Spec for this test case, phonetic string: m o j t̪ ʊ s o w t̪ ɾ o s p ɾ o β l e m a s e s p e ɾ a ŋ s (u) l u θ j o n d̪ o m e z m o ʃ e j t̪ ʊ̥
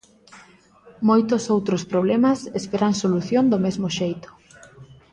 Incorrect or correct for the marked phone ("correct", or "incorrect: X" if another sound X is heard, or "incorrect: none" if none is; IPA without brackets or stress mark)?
incorrect: o